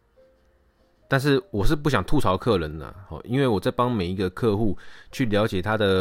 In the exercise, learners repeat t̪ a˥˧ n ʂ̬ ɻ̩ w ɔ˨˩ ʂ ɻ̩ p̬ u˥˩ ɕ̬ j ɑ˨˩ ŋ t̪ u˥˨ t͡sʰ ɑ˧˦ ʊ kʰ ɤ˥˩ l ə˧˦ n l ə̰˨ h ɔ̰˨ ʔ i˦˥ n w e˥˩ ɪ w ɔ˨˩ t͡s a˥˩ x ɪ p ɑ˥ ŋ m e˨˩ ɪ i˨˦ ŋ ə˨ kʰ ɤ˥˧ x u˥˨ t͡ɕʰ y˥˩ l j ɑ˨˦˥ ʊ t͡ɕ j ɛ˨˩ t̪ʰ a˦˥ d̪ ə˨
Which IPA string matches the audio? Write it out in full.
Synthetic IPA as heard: t̪ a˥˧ n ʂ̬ ɻ̩ w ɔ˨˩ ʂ ɻ̩ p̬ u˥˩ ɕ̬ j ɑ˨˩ ŋ t̪ʰ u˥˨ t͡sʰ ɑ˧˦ ʊ kʰ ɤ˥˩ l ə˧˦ n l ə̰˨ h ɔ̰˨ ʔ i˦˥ n w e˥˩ ɪ w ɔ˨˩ t͡s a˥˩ ɪ p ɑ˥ ŋ m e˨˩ ɪ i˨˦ ɡ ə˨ kʰ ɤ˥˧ x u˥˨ t͡ɕʰ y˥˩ l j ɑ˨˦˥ ʊ t͡ɕ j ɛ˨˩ t̪ʰ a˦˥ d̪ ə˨